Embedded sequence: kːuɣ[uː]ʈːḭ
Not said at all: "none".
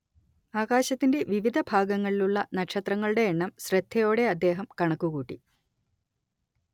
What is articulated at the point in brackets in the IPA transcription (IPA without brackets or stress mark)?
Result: uː